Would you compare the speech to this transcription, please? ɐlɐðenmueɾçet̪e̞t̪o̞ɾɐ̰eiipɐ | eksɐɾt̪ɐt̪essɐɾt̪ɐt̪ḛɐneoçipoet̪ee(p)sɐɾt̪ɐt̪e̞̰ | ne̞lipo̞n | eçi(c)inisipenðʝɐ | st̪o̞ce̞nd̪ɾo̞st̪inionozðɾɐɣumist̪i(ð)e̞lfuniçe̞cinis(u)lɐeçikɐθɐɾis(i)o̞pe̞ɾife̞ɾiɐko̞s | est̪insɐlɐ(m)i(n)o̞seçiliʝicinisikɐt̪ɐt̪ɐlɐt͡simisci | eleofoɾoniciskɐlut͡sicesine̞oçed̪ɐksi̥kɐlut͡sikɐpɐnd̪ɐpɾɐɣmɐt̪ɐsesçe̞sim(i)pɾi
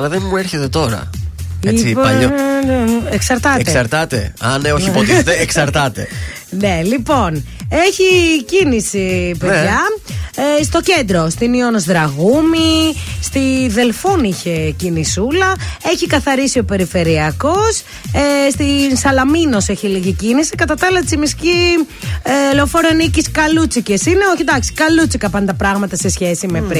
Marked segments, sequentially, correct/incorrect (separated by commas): incorrect, correct, correct, correct, correct, correct, correct, incorrect